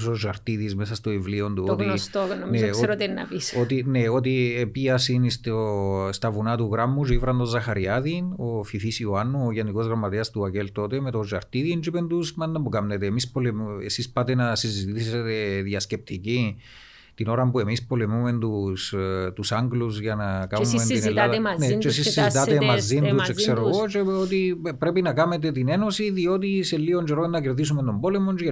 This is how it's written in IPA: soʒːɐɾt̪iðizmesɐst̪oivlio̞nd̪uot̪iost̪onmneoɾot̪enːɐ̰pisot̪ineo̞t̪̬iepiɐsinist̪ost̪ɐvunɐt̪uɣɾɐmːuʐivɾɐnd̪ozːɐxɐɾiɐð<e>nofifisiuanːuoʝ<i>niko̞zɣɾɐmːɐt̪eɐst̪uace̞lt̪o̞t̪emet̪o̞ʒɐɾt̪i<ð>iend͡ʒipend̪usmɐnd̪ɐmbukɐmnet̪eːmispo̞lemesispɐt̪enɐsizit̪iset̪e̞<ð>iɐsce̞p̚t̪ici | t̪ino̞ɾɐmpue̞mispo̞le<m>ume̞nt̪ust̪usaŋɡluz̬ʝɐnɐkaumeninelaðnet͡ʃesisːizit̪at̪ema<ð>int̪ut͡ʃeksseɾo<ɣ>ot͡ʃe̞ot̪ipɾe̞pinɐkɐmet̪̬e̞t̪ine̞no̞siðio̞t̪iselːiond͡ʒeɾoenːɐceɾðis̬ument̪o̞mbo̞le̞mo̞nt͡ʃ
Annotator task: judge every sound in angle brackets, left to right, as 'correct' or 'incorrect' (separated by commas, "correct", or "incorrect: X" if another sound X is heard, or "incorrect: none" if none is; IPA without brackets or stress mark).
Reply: incorrect: i, incorrect: e, correct, correct, correct, incorrect: z, correct